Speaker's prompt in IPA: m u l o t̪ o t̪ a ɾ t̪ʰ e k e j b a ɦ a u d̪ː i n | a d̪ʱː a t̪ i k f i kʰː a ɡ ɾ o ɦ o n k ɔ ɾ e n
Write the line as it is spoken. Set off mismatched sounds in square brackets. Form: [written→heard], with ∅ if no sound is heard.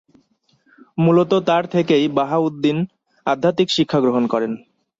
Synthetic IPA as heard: m u l o t̪ o t̪ a ɾ t̪ʰ e k e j b a ɦ a u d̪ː i n | a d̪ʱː a t̪ i k [f→ʃ] i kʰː a ɡ ɾ o ɦ o n k ɔ ɾ e n